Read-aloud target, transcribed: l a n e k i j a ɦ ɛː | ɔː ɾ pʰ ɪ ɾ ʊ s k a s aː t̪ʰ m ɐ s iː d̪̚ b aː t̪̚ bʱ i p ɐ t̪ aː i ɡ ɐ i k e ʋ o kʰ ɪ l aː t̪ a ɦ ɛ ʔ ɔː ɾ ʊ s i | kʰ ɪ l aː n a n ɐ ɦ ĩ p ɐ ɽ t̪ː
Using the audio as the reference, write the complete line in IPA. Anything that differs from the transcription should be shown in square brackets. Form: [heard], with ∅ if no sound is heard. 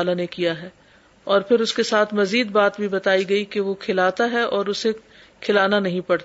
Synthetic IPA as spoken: l a n e k i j a ɦ ɛː | ɔː ɾ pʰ ɪ ɾ ʊ s k [e] s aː t̪ʰ m ɐ [z] iː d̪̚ b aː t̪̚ bʱ i [b] ɐ t̪ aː i ɡ ɐ i k e ʋ o kʰ ɪ l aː t̪ a ɦ ɛ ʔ ɔː ɾ ʊ s [e] | kʰ ɪ l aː n a n ɐ ɦ ĩ p ɐ ɽ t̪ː